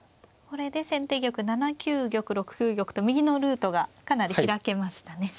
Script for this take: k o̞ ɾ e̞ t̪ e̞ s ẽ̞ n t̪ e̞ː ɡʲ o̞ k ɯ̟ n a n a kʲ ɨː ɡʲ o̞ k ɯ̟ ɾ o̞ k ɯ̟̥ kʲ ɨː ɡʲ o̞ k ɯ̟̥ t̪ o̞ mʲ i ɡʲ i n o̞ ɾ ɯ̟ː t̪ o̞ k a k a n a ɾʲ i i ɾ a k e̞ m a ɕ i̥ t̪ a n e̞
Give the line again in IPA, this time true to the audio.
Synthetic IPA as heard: k o̞ ɾ e̞ d̪ e̞ s ẽ̞ n t̪ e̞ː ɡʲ o̞ k ɯ̟ n a n a kʲ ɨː ɡʲ o̞ k ɯ̟ ɾ o̞ k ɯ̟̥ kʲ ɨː ɡʲ o̞ k ɯ̟̥ t̪ o̞ mʲ i ɡʲ i n o̞ ɾ ɯ̟ː t̪ o̞ ɡ a k a n a ɾʲ i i ɾ a k e̞ m a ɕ i̥ t̪ a n e̞